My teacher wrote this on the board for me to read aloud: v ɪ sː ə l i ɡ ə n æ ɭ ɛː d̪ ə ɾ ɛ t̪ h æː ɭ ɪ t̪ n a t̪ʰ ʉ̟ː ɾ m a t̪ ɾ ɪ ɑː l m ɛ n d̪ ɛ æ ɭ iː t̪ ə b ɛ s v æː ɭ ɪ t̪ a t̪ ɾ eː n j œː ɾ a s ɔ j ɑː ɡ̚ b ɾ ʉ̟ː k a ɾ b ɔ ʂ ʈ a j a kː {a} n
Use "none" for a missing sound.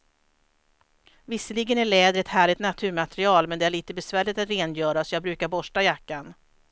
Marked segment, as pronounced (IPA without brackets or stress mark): a